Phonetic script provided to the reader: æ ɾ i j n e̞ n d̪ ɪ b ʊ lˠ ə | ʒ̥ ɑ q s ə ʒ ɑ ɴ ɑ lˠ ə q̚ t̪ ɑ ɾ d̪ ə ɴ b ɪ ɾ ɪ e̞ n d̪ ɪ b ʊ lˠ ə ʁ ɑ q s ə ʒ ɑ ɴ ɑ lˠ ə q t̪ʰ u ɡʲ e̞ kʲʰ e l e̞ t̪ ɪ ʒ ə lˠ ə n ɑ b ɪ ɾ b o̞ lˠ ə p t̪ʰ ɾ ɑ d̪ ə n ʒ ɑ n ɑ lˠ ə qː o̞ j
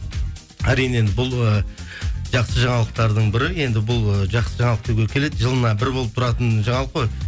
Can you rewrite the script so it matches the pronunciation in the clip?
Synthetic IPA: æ ɾ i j n e̞ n d̪ ɪ b ʊ lˠ ə | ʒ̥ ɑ q s ə ʒ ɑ ɴ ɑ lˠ ə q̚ t̪ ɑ ɾ d̪ ə ɴ b ɪ ɾ ɪ e̞ n d̪ ɪ b ʊ lˠ ə ʒ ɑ q s ə ʒ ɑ ɴ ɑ lˠ ə q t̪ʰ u ɡʲ e̞ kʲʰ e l e̞ d̪ ɪ ʒ ə lˠ ə n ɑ b ɪ ɾ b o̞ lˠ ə p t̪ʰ ɾ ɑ t̪ ə n ʒ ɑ ɴ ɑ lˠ ə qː o̞ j